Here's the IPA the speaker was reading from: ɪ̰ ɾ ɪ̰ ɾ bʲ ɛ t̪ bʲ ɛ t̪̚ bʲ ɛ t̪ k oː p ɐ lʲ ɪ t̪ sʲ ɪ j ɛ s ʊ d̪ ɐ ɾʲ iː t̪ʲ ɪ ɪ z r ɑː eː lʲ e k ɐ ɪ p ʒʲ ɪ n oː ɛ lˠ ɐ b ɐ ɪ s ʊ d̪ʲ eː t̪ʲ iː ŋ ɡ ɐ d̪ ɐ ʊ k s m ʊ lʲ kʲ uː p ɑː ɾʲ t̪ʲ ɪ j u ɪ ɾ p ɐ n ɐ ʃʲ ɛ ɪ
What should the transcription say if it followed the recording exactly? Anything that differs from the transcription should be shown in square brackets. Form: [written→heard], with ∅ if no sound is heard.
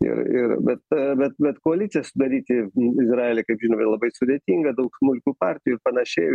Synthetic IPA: ɪ̰ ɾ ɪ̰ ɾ bʲ ɛ t̪ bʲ ɛ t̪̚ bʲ ɛ t̪ k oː [p→∅] ɐ lʲ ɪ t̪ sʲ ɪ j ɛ s ʊ d̪ ɐ ɾʲ iː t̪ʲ ɪ ɪ z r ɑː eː lʲ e k ɐ ɪ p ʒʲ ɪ n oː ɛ lˠ ɐ b ɐ ɪ s ʊ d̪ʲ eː t̪ʲ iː ŋ ɡ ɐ d̪ ɐ ʊ k s m ʊ lʲ kʲ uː p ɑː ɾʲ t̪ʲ ɪ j u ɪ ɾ p ɐ n ɐ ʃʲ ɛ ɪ

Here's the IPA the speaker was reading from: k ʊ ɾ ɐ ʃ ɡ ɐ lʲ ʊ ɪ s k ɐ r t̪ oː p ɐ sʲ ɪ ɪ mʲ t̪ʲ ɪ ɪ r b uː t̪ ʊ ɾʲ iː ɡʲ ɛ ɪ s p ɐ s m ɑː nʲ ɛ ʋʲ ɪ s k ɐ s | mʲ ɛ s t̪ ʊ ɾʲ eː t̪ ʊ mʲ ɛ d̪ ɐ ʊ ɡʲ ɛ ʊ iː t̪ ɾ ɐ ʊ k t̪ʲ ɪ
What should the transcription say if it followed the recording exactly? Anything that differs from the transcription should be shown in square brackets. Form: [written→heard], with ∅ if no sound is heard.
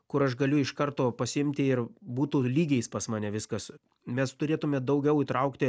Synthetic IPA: k ʊ ɾ ɐ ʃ ɡ ɐ lʲ ʊ ɪ [s→ʃ] k ɐ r t̪ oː p ɐ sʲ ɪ ɪ mʲ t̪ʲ ɪ ɪ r b uː t̪ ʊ [ɾʲ→lʲ] iː ɡʲ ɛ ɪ s p ɐ s m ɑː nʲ ɛ ʋʲ ɪ s k ɐ s | mʲ ɛ s t̪ ʊ ɾʲ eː t̪ ʊ mʲ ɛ d̪ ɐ ʊ ɡʲ ɛ ʊ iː t̪ ɾ ɐ ʊ k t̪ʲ ɪ

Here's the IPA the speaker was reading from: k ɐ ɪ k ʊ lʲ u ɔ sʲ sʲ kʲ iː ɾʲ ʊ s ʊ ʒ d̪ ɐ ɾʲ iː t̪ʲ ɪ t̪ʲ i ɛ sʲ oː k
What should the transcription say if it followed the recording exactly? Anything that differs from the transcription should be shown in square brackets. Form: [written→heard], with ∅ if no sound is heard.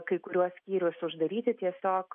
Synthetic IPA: k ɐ ɪ k ʊ [lʲ→ɾʲ] u ɔ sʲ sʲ kʲ iː ɾʲ ʊ s ʊ ʒ d̪ ɐ ɾʲ iː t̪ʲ ɪ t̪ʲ i ɛ sʲ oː k

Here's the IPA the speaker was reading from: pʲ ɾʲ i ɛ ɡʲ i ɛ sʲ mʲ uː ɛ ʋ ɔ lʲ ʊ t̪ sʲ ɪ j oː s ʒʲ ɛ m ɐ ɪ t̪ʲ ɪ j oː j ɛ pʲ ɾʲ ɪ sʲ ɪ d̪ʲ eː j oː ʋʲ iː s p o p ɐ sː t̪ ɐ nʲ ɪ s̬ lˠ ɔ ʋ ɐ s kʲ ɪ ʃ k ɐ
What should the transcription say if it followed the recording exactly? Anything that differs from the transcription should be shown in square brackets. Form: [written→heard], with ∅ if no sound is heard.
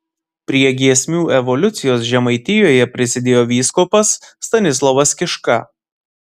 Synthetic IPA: pʲ ɾʲ i ɛ ɡʲ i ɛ sʲ mʲ uː ɛ ʋ ɔ lʲ ʊ t̪ sʲ ɪ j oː s ʒʲ ɛ m ɐ ɪ t̪ʲ ɪ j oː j ɛ pʲ ɾʲ ɪ sʲ ɪ d̪ʲ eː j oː ʋʲ iː s [p→k] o p ɐ sː t̪ ɐ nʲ ɪ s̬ lˠ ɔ ʋ ɐ s kʲ ɪ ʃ k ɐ

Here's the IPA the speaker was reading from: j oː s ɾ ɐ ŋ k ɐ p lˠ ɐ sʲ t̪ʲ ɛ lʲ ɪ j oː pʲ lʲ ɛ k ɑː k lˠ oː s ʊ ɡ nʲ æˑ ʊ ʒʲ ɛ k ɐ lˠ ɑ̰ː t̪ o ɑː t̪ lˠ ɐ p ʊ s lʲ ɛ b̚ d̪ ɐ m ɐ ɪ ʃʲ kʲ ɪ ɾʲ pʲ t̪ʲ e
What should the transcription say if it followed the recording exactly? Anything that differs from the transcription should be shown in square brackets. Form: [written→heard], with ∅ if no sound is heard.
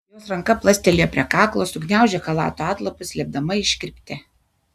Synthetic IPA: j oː s ɾ ɐ ŋ k ɐ p lˠ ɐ sʲ t̪ʲ ɛ lʲ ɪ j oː pʲ [lʲ→ɾʲ] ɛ k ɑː k lˠ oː s ʊ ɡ nʲ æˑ ʊ ʒʲ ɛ k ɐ lˠ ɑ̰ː t̪ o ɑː t̪ lˠ ɐ p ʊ s lʲ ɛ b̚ d̪ ɐ m ɐ ɪ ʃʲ kʲ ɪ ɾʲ pʲ t̪ʲ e

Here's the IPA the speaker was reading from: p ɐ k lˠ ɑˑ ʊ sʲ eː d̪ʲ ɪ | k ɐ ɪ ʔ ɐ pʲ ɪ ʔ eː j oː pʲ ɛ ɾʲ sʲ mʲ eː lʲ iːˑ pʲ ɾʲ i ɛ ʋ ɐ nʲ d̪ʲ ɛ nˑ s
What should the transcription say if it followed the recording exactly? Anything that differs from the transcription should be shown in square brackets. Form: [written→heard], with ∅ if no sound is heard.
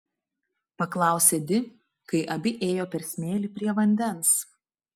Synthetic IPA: p ɐ k lˠ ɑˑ ʊ sʲ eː d̪ʲ ɪ | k ɐ ɪ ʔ ɐ [pʲ→bʲ] ɪ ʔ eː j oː pʲ ɛ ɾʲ sʲ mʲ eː lʲ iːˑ pʲ ɾʲ i ɛ ʋ ɐ nʲ d̪ʲ ɛ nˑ s

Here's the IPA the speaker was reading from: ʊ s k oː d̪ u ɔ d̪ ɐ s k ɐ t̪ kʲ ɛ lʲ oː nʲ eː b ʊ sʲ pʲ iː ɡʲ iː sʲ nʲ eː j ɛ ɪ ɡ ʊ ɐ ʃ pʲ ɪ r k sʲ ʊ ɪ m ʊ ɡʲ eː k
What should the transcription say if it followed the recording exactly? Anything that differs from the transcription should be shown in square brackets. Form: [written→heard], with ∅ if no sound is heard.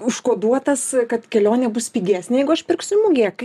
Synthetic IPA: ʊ [s→ʃ] k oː d̪ u ɔ [d̪→t̪] ɐ s k ɐ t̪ kʲ ɛ lʲ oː nʲ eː b ʊ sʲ pʲ iː ɡʲ [iː→æː] sʲ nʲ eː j ɛ ɪ ɡ ʊ ɐ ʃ pʲ ɪ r k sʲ ʊ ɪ m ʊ ɡʲ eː k

